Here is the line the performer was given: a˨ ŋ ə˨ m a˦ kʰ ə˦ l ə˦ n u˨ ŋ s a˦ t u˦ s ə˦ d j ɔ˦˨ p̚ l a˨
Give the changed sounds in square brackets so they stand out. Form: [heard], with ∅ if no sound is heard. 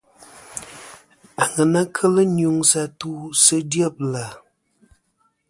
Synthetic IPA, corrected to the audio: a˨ ŋ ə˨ [n] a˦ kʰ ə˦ l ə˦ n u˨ ŋ s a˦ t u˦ s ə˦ d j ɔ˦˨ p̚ l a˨